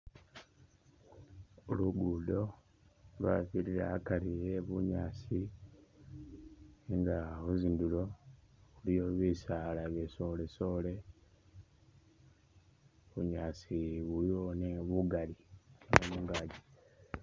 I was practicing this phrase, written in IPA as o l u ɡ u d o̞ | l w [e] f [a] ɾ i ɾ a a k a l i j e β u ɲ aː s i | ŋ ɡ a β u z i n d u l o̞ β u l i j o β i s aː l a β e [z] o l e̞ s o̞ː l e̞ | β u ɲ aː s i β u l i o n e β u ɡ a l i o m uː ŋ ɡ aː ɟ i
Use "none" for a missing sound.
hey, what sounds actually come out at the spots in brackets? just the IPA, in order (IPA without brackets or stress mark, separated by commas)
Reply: a, i, s